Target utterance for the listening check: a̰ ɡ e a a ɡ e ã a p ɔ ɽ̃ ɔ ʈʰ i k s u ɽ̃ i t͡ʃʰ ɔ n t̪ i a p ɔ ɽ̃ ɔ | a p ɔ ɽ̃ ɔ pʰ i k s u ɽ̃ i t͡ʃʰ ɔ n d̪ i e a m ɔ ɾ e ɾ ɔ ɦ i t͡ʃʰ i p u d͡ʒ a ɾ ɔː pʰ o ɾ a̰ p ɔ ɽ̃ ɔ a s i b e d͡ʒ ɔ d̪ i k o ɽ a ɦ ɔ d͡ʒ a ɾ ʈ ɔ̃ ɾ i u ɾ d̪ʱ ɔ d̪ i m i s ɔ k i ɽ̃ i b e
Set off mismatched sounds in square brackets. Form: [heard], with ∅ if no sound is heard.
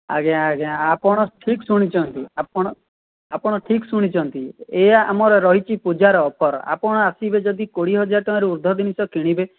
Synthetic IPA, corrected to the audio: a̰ ɡ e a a ɡ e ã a p ɔ ɽ̃ ɔ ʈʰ i k s u ɽ̃ i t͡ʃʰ ɔ n t̪ i a p ɔ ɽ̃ ɔ | a p ɔ ɽ̃ ɔ [ʈʰ] i k s u ɽ̃ i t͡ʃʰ ɔ n [t̪] i e a m ɔ ɾ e ɾ ɔ ɦ i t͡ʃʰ i p u d͡ʒ a ɾ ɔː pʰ [ɔ] ɾ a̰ p ɔ ɽ̃ ɔ a s i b e d͡ʒ ɔ d̪ i k o ɽ [i] ɦ ɔ d͡ʒ a ɾ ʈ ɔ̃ ɾ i u ɾ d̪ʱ ɔ d̪ i [n] i s ɔ k i ɽ̃ i b e